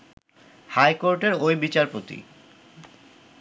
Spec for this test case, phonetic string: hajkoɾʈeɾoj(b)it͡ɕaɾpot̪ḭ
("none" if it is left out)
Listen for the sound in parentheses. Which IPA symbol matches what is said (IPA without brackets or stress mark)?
b